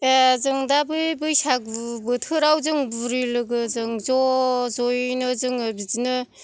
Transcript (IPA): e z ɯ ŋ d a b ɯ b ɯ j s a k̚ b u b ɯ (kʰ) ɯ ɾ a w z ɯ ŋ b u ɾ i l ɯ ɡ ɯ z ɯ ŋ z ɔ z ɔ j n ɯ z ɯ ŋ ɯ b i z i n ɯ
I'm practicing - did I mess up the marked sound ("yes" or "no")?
yes